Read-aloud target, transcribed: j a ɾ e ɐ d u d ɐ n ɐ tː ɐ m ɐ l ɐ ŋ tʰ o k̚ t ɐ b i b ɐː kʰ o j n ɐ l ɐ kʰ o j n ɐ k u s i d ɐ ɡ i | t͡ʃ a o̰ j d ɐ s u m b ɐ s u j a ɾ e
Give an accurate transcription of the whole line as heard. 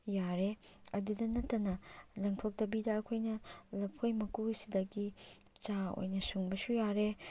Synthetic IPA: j a ɾ e ɐ d u d ɐ n ɐ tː ɐ n ɐ l ɐ ŋ tʰ o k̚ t ɐ b i d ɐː kʰ o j n ɐ l ɐ pʰ o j m ɐ k u s i d ɐ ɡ i | t͡ʃ a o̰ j n ɐ s u ŋ b ɐ s u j a ɾ e

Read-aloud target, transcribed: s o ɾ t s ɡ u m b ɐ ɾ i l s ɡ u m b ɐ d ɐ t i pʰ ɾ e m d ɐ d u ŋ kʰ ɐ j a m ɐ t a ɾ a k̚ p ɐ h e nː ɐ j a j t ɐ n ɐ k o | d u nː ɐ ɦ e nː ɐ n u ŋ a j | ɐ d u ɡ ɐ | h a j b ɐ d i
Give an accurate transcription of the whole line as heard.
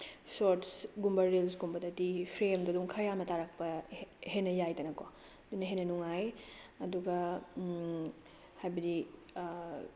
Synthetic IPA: s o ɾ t s ɡ u m b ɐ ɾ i l s ɡ u m b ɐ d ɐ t i pʰ ɾ e m d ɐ d u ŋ kʰ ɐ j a m ɐ t a ɾ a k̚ p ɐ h e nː ɐ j a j t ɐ n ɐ k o | d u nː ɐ ɦ e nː ɐ n u ŋ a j | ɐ d u ɡ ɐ | h a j b ɐ d i

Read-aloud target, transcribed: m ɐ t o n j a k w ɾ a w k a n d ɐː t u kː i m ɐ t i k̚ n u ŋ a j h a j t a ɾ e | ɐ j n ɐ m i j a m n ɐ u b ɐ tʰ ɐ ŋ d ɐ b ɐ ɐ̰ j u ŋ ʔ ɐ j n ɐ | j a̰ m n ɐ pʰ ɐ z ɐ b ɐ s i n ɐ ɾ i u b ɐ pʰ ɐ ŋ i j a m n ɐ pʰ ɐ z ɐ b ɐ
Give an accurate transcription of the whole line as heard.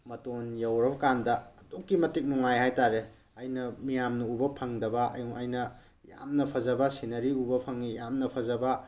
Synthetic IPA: m ɐ t o n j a w ɾ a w k a n d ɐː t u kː i m ɐ t i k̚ n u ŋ a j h a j t a ɾ e | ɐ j n ɐ m i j a m n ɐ u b ɐ pʰ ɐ ŋ d ɐ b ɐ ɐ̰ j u ŋ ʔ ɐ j n ɐ | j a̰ m n ɐ pʰ ɐ z ɐ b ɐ s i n ɐ ɾ i u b ɐ pʰ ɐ ŋ i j a m n ɐ pʰ ɐ z ɐ b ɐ

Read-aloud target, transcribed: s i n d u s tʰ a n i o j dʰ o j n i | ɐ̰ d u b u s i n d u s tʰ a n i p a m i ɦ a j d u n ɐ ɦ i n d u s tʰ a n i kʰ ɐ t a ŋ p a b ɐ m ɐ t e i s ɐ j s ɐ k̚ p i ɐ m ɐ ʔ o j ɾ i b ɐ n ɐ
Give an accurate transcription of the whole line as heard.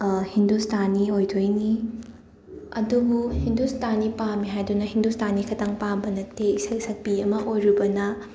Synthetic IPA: h i n d u s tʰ a n i o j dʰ o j n i | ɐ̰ d u b u h i n d u s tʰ a n i p a m i ɦ a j d u n ɐ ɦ i n d u s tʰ a n i kʰ ɐ t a ŋ p a b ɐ n ɐ t e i s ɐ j s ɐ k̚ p i ɐ m ɐ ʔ o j ɾ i b ɐ n ɐ

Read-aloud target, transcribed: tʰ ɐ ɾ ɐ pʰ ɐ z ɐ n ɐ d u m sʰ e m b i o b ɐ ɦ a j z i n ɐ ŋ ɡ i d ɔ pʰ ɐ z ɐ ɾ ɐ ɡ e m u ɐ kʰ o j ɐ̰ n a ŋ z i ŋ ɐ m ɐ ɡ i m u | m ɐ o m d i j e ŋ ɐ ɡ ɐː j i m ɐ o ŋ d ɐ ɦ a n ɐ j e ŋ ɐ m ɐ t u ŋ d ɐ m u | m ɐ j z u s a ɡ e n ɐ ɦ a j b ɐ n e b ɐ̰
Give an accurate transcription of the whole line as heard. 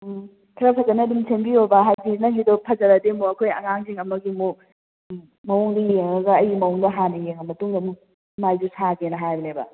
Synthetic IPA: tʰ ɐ ɾ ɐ pʰ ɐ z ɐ n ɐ d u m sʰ e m b i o b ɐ ɦ a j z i n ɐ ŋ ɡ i d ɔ pʰ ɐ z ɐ ɾ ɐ d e m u ɐ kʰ o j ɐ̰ ŋ a ŋ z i ŋ ɐ m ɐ ɡ i m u | m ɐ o ŋ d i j e ŋ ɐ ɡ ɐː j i m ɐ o ŋ d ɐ ɦ a n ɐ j e ŋ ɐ m ɐ t u ŋ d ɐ m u | m a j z u s a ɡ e n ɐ ɦ a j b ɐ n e b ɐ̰

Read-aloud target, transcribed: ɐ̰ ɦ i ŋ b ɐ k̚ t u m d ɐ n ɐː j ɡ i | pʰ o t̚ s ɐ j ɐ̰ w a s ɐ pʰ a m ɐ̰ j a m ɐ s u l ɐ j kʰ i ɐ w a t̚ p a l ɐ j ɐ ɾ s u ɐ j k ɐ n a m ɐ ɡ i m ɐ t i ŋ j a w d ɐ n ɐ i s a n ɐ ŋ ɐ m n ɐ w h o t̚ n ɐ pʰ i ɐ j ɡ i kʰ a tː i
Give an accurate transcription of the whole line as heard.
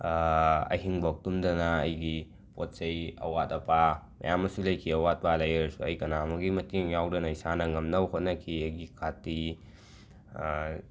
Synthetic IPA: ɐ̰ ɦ i ŋ b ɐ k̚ t u m d ɐ n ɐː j ɡ i | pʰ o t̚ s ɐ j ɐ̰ w a t ɐ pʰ a m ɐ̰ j a m ɐ s u l ɐ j kʰ i ɐ w a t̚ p a l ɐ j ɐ ɾ s u ɐ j k ɐ n a m ɐ ɡ i m ɐ t i ŋ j a w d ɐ n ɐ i s a n ɐ ŋ ɐ m n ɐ w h o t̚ n ɐ kʰ i ɐ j ɡ i kʰ a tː i

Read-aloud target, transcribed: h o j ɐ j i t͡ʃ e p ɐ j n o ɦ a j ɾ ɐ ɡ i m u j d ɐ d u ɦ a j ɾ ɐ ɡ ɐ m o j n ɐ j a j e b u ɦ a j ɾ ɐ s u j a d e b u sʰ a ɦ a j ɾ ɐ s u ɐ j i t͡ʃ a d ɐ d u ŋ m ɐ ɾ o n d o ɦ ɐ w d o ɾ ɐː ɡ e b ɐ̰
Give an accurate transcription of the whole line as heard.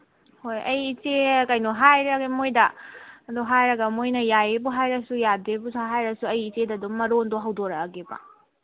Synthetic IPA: h o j ɐ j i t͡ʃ e k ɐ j n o ɦ a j ɾ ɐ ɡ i m o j d ɐ d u ɦ a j ɾ ɐ ɡ ɐ m o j n ɐ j a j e b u ɦ a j ɾ ɐ s u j a d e b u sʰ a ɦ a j ɾ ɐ s u ɐ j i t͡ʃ e d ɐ d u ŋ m ɐ ɾ o n d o ɦ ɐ w d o ɾ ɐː ɡ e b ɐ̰

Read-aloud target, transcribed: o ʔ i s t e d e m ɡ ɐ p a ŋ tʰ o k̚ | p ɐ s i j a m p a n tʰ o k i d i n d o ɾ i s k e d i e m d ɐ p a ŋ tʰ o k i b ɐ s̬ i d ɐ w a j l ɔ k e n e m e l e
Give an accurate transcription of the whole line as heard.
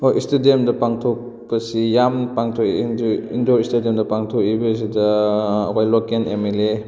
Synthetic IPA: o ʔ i s t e d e m d ɐ p a ŋ tʰ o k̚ | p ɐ s i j a m p a ŋ tʰ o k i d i n d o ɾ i s t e d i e m d ɐ p a ŋ tʰ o k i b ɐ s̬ i d ɐ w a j l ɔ k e n e m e l e

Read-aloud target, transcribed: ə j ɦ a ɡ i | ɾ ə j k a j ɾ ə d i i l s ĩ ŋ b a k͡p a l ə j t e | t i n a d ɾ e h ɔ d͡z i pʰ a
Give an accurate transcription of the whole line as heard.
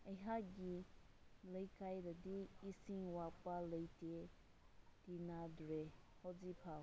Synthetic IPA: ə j ɦ a ɡ i | l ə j k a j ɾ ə d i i s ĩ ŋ w a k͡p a l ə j t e | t i n a d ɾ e h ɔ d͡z i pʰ a

